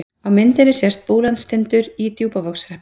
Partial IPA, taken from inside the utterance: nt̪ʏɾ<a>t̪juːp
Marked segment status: incorrect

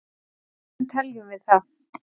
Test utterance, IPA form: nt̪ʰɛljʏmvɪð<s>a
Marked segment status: incorrect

